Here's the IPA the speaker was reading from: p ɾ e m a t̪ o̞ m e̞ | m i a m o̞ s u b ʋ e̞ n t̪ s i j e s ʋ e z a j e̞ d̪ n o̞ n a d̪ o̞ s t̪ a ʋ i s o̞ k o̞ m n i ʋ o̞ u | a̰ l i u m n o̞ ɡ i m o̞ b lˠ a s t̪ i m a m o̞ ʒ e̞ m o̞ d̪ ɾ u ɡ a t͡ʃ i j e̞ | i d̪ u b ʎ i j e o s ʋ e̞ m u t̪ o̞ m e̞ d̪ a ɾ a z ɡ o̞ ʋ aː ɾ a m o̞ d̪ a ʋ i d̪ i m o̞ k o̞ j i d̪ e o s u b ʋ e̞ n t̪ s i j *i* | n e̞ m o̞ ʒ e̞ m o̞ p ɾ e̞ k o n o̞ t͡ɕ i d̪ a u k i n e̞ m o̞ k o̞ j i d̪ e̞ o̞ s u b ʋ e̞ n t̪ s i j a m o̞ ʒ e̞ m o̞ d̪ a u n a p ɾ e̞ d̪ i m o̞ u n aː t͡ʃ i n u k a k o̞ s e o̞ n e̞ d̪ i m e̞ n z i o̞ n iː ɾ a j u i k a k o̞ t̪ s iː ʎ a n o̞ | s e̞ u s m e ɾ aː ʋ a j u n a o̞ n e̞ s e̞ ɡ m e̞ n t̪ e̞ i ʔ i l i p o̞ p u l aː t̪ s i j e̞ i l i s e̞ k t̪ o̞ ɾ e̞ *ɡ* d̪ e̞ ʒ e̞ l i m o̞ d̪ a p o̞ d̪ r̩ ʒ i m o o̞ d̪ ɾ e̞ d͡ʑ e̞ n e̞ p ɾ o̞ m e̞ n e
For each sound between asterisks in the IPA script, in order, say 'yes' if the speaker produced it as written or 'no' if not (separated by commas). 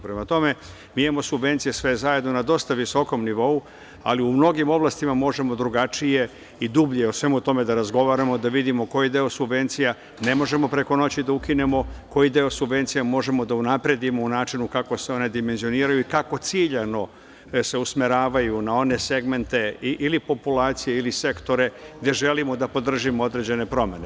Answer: no, yes